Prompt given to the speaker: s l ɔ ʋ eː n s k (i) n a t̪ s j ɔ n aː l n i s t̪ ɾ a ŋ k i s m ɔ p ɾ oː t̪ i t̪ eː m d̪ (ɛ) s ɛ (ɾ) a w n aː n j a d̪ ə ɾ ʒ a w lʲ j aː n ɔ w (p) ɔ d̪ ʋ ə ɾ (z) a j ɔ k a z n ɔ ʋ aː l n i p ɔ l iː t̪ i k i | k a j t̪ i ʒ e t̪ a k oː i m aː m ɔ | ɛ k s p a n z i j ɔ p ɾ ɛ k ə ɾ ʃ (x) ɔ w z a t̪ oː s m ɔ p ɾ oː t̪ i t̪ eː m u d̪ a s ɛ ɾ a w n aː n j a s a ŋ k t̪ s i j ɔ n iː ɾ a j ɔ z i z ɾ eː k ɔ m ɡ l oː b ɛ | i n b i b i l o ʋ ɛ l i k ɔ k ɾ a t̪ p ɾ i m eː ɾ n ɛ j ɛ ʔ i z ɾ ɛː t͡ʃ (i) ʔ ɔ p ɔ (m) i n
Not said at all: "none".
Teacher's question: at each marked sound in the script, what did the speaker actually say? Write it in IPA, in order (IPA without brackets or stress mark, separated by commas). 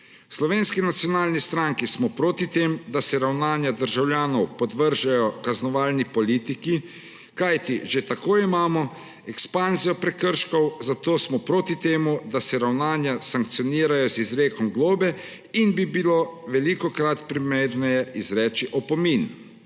i, a, ɾ, p, ʒ, k, i, m